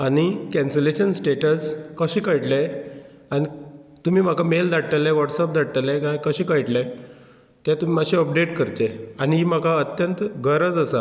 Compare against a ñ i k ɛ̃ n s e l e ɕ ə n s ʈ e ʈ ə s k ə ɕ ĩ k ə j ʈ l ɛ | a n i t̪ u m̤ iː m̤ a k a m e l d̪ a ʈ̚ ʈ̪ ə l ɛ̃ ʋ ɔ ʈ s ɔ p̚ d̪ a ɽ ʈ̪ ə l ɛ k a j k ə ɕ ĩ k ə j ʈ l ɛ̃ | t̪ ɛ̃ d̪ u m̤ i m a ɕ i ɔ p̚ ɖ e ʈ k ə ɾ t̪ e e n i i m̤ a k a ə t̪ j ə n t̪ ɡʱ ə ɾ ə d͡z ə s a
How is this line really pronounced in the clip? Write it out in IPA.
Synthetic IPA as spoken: a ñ i k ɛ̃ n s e l e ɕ ə n s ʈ e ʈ ə s k ə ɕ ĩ k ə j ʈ l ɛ | a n i t̪ u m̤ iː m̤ a k a m e l d̪ a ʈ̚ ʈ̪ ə l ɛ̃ ʋ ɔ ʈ s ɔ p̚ d̪ a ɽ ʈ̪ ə l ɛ k a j k ə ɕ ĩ k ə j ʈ l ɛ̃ | t̪ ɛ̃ t̪ u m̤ i m a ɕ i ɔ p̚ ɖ e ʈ k ə ɾ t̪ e a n i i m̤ a k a ə t̪ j ə n t̪ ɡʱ ə ɾ ə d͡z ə s a